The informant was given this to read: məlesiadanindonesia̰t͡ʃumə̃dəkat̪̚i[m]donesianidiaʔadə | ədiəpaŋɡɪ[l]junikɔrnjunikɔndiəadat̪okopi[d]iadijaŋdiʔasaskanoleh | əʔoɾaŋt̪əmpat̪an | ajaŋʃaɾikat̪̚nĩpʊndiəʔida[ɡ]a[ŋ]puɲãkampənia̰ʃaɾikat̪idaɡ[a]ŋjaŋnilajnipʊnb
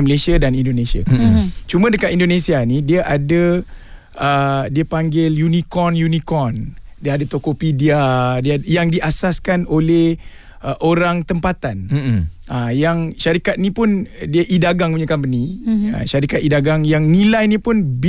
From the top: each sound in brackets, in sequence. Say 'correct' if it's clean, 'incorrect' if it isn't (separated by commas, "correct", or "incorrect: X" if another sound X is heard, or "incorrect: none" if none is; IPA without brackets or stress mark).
incorrect: n, correct, correct, correct, correct, correct